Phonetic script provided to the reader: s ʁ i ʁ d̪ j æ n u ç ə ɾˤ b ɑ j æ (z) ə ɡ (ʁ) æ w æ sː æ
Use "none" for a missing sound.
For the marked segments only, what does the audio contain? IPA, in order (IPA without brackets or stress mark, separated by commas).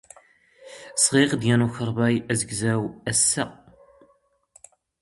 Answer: z, z